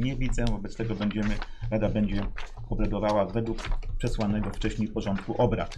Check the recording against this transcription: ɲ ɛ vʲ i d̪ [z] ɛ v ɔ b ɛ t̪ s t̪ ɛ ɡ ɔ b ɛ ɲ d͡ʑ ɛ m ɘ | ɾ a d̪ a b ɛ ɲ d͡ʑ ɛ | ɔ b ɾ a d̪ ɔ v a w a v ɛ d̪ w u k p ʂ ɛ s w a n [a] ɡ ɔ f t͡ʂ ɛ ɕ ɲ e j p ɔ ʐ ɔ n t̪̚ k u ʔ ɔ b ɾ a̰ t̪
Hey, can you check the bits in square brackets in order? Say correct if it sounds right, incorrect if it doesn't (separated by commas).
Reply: correct, incorrect